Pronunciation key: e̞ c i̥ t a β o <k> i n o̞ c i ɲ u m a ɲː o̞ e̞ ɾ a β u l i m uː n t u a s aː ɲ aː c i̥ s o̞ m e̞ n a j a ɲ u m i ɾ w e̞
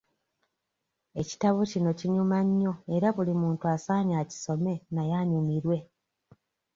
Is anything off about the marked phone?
yes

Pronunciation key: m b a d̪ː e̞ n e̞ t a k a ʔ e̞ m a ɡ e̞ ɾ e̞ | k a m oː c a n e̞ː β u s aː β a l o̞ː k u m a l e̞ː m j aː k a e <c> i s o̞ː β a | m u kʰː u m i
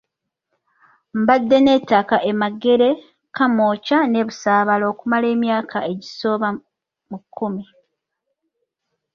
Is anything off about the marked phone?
yes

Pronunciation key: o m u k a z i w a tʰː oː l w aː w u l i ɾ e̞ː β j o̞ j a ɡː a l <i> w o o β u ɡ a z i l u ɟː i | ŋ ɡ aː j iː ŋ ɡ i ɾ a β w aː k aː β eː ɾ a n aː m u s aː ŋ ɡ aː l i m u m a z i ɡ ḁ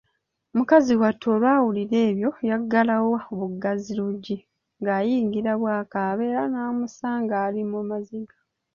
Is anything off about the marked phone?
yes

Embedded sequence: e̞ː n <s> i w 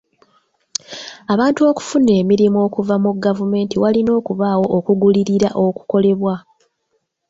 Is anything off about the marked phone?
yes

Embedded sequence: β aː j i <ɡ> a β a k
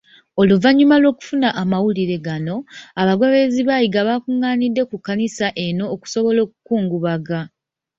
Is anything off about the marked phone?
no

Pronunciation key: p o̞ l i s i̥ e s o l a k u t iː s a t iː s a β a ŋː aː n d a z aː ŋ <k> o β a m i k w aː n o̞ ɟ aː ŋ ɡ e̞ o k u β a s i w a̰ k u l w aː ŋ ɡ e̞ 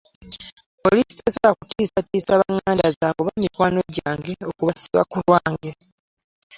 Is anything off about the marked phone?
yes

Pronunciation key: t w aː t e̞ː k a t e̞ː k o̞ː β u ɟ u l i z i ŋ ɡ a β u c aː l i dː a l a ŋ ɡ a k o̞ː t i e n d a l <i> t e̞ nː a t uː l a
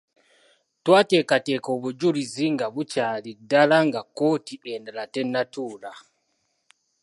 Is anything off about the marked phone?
yes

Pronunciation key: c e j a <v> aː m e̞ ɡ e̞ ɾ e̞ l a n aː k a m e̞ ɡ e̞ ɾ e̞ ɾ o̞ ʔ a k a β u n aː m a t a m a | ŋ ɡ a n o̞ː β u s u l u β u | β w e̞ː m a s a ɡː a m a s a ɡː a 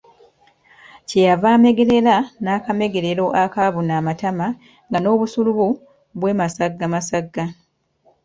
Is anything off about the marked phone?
no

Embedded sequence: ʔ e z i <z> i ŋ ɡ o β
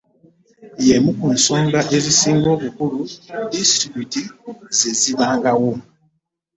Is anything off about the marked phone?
yes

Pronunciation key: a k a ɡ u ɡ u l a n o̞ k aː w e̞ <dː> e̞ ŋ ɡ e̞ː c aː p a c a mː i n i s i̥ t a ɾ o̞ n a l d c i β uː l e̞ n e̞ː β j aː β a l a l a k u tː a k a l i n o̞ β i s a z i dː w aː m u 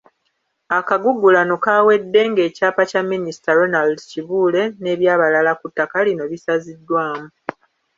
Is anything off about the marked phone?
no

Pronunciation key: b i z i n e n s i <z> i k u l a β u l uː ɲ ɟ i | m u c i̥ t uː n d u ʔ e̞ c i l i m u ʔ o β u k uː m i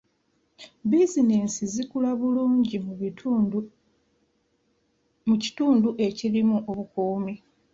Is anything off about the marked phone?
no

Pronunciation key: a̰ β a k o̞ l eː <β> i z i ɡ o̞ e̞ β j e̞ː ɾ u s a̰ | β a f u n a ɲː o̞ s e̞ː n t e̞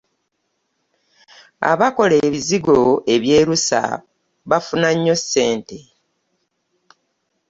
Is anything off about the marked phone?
no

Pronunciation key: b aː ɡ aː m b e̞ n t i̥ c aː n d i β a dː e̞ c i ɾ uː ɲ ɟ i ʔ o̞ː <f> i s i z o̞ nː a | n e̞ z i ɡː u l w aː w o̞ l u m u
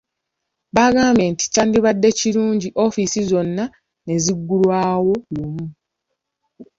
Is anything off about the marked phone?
no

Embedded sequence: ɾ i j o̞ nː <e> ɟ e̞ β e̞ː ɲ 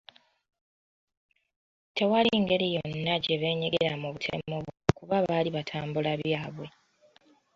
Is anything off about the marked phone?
yes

